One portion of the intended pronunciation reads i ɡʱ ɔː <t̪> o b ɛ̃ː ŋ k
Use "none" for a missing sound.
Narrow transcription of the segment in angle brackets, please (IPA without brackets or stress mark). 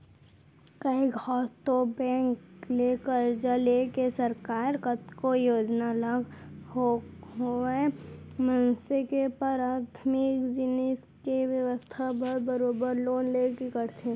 t̪